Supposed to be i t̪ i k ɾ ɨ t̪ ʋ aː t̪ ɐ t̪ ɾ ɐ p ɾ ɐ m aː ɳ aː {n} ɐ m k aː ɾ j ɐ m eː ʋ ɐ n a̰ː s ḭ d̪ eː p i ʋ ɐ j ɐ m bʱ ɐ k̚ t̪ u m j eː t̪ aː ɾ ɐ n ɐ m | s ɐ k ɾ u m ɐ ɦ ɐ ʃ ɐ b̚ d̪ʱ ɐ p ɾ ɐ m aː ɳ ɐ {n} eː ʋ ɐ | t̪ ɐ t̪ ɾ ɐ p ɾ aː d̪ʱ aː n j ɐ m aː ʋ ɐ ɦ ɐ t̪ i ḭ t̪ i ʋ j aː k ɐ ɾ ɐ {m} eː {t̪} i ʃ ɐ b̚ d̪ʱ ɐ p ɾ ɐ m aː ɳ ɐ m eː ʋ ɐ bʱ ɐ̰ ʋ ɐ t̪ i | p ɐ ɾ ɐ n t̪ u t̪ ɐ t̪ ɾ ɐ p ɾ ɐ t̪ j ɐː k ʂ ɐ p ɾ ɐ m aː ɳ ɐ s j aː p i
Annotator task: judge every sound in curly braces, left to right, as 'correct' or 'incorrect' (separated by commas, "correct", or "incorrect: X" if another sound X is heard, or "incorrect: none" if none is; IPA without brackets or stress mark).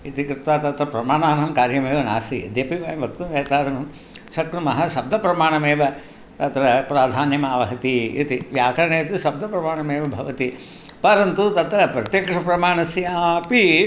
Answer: correct, incorrect: m, incorrect: ɳ, correct